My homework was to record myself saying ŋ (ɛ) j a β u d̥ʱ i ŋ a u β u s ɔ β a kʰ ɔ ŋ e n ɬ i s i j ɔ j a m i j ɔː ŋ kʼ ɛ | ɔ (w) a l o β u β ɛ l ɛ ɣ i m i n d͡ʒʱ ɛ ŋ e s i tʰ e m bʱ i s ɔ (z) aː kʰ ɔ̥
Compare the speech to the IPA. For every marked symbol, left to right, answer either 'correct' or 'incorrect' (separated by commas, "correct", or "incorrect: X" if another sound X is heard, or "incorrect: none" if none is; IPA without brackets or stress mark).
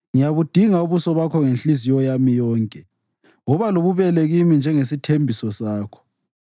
incorrect: i, incorrect: β, incorrect: s